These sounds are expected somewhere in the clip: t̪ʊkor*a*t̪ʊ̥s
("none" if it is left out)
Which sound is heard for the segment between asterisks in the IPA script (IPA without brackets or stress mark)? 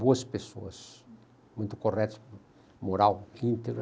ɛ